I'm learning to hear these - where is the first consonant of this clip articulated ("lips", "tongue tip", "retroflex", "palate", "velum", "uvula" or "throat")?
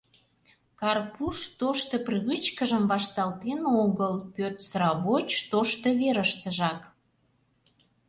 velum